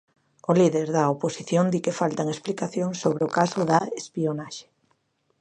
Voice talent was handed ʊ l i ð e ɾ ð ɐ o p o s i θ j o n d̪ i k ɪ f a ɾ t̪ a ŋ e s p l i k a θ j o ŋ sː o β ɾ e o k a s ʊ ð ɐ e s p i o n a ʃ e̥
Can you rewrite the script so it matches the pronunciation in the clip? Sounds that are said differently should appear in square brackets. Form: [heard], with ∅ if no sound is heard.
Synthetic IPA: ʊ l i ð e ɾ ð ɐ o p o s i θ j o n d̪ i k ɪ f a [l] t̪ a ŋ e s p l i k a θ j o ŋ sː o β ɾ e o k a s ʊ ð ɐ e s p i o n a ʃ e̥